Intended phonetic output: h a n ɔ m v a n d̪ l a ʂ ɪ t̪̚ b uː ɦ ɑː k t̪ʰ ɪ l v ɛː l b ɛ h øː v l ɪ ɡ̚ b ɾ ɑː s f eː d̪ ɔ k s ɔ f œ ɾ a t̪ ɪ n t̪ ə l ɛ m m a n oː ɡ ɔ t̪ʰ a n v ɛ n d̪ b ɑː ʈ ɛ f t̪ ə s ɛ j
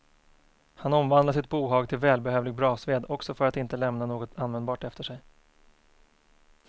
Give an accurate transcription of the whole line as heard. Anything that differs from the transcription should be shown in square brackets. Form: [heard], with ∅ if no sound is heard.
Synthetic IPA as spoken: h a n ɔ m v a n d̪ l a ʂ ɪ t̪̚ b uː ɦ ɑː [ɡ] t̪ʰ ɪ l v ɛː l b ɛ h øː v l ɪ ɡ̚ b ɾ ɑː s [v] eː d̪ ɔ k s ɔ f œ ɾ a t̪ ɪ n t̪ ə l ɛ m [n] a n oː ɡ ɔ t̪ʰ a n v ɛ n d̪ b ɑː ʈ ɛ f t̪ ə [ʂ] ɛ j